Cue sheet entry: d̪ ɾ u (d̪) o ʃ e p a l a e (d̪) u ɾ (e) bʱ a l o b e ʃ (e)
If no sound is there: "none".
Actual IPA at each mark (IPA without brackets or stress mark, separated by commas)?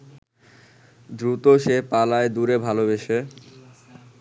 t̪, d̪, e, e